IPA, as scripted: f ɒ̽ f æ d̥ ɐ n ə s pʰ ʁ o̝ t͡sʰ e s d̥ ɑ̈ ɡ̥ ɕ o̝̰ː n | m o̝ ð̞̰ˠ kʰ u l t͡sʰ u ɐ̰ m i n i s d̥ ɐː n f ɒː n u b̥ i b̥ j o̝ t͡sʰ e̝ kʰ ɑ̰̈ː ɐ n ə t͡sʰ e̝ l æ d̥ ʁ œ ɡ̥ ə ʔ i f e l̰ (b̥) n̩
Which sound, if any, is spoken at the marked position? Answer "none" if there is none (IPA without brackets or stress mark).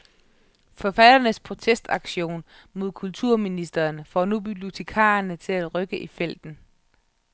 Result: d̥